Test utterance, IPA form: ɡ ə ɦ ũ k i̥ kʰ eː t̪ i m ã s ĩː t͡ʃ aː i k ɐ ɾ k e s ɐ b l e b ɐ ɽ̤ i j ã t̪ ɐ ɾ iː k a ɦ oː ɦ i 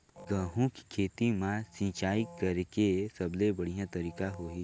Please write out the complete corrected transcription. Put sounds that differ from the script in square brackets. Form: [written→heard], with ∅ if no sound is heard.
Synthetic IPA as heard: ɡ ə ɦ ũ k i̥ kʰ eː t̪ i m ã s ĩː t͡ʃ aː i k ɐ ɾ k e s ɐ b l e b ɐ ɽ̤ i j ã t̪ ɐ ɾ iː k a ɦ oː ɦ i